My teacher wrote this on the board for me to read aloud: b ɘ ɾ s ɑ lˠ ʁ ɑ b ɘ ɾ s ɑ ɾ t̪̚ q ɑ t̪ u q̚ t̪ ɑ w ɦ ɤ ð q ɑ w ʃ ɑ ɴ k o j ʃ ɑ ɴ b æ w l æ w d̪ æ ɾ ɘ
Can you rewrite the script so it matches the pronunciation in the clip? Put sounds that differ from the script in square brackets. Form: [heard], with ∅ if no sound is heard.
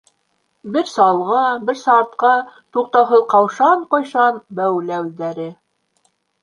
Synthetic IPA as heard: b ɘ ɾ s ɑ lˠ ʁ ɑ b ɘ ɾ s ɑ ɾ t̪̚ q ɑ t̪ u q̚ t̪ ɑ w ɦ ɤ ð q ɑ w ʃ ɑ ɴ [q] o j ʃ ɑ [n] b æ w l æ w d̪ æ ɾ ɘ